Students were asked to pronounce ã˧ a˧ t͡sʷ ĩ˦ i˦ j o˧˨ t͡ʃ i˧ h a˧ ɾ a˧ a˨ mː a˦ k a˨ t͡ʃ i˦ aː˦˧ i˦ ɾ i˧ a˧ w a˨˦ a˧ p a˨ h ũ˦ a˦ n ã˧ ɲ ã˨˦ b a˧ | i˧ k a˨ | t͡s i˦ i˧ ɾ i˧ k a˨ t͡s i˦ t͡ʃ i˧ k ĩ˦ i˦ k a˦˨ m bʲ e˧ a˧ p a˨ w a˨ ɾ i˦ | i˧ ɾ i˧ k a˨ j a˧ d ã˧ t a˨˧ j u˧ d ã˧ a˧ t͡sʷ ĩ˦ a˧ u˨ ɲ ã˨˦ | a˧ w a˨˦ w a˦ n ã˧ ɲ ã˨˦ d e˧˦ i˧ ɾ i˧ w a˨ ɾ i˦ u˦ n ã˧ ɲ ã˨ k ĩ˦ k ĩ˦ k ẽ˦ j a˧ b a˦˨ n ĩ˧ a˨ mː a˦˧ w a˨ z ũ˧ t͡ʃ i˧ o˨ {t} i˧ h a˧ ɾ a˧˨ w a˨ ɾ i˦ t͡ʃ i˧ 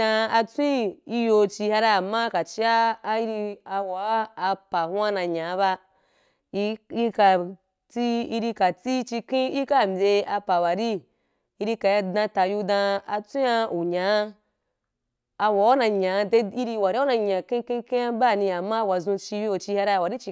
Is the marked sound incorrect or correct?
incorrect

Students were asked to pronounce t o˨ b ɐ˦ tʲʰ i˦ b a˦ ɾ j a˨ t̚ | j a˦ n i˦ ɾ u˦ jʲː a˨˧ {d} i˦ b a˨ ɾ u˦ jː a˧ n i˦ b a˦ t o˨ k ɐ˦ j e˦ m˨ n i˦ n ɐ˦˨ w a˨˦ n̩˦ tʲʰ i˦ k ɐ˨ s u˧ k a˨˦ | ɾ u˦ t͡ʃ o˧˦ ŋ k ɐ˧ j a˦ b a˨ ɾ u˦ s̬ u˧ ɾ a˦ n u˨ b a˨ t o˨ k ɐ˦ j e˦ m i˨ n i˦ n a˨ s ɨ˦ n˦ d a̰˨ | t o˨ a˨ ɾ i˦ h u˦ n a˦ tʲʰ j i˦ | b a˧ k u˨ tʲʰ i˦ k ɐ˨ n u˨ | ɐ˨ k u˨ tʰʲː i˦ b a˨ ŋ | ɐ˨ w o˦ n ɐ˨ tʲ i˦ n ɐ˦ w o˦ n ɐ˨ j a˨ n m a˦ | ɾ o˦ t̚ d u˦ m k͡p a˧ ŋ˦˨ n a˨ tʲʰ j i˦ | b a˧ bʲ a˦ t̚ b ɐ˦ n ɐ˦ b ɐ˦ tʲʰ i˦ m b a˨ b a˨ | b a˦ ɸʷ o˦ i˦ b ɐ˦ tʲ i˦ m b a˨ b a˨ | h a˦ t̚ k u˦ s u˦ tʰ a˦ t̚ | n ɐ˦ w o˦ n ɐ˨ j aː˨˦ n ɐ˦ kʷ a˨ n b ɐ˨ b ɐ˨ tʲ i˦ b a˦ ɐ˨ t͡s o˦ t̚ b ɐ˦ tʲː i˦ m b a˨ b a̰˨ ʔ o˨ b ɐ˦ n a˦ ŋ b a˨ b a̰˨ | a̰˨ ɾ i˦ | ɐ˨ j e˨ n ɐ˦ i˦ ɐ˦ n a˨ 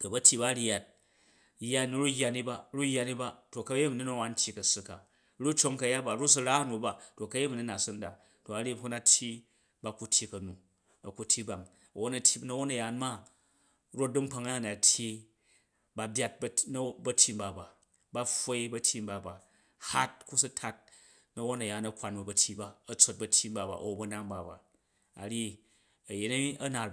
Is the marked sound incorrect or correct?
incorrect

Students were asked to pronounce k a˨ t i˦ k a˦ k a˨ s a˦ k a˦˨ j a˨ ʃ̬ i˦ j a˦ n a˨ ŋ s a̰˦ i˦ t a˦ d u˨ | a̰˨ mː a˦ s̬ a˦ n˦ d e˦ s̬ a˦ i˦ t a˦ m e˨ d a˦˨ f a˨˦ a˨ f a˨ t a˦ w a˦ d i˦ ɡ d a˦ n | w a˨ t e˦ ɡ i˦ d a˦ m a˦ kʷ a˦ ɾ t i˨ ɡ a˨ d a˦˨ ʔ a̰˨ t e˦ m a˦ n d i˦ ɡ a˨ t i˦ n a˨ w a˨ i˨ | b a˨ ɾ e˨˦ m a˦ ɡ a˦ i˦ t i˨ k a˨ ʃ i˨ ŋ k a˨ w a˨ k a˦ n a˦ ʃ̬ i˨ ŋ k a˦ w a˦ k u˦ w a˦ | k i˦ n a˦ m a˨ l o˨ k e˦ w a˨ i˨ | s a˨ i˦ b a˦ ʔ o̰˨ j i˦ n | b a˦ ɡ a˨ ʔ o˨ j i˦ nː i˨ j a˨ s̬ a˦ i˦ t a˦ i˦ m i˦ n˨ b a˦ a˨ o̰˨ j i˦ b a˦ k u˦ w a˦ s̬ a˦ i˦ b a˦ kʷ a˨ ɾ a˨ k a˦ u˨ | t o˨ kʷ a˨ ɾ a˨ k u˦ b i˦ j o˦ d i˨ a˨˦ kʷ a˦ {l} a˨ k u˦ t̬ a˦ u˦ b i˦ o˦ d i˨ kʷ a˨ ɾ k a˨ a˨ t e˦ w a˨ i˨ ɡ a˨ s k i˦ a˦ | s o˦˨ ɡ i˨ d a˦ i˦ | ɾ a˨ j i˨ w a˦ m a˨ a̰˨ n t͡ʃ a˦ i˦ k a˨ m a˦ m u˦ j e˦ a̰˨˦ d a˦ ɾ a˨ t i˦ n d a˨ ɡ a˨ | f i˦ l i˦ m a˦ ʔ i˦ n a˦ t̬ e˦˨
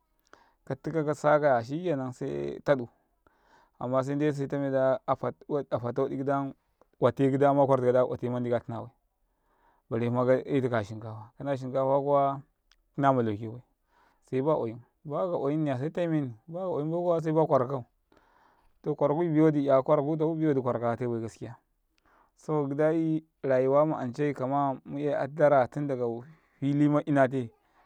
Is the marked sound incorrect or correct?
incorrect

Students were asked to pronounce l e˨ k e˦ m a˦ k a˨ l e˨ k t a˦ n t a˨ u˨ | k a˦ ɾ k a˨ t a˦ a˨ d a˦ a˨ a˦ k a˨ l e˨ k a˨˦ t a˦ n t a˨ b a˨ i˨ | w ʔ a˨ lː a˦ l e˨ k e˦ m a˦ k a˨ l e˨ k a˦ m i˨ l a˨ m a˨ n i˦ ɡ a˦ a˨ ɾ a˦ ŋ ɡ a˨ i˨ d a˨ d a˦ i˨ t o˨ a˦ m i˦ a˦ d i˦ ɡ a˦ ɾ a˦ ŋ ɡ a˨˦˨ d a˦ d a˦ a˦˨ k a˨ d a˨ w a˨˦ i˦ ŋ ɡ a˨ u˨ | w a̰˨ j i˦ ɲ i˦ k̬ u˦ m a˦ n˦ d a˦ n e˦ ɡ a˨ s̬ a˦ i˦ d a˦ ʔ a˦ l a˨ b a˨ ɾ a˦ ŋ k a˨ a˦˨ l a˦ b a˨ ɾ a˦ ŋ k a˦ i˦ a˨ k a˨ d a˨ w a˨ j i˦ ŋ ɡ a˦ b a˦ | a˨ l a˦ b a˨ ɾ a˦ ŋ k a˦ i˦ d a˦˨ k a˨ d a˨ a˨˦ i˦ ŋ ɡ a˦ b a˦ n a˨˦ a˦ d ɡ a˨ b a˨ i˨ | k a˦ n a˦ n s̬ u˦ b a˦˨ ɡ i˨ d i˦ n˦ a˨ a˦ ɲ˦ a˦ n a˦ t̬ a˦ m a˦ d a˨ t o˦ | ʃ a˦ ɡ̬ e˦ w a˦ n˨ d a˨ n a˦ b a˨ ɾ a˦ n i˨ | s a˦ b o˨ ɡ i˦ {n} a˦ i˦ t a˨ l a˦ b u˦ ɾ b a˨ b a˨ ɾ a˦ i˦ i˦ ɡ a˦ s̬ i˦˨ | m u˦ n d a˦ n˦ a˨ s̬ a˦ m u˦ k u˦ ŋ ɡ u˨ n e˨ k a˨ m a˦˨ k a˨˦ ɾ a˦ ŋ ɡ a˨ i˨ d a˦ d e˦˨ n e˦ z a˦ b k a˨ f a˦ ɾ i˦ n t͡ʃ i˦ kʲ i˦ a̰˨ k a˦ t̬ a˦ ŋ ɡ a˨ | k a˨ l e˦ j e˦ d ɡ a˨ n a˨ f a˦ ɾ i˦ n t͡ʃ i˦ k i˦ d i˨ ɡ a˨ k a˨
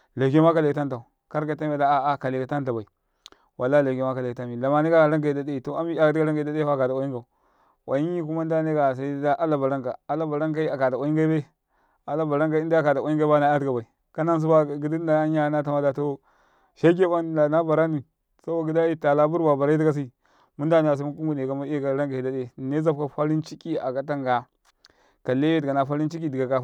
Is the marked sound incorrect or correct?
incorrect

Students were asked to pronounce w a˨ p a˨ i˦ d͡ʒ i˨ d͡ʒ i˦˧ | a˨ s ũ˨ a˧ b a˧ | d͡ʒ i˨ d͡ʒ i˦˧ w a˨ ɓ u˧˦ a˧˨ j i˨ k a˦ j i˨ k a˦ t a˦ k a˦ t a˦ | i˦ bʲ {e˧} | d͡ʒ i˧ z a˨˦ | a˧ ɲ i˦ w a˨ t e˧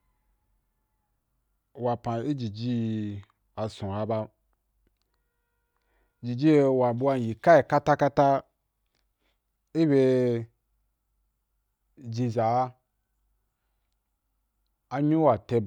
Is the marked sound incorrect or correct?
correct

